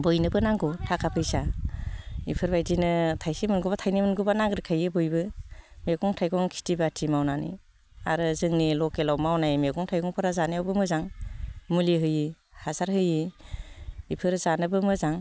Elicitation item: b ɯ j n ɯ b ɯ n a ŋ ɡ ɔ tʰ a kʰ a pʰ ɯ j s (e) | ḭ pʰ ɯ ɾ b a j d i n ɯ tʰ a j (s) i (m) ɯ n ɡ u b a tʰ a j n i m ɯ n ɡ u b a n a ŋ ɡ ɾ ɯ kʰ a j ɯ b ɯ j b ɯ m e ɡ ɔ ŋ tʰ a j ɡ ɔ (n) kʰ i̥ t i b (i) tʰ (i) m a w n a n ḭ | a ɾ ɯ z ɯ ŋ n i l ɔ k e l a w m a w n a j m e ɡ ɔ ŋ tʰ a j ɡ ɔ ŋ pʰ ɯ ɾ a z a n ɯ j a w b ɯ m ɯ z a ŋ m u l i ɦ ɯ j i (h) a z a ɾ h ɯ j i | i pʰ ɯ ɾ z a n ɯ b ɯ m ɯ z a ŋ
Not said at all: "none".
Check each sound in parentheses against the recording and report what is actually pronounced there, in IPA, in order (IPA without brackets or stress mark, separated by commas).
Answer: a, s, m, ŋ, a, i, h